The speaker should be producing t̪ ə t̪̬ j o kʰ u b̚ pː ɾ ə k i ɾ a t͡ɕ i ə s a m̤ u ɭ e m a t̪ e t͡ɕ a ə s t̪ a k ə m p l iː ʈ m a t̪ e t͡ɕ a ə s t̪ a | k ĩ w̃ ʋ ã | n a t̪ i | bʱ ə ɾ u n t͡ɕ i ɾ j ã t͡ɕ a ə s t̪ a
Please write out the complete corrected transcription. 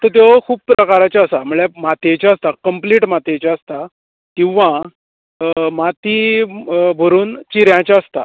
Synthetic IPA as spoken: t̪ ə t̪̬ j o kʰ uː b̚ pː ɾ ə k a ɾ a t͡ɕ a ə s a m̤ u ɭ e m a t̪ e t͡ɕ a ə s t̪ a k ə m p l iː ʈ m a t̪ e t͡ɕ a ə s t̪ a | k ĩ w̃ ʋ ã | m a t̪ i | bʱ ə ɾ uː n t͡ɕ i ɾ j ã t͡ɕ a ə s t̪ a